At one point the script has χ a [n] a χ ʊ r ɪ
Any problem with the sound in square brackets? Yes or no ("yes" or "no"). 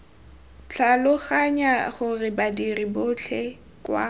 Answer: yes